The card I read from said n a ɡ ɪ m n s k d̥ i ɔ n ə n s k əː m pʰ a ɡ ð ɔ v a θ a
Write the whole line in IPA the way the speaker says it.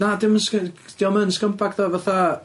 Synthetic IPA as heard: n a d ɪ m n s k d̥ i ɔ m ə n s k ə m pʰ a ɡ ð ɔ v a θ a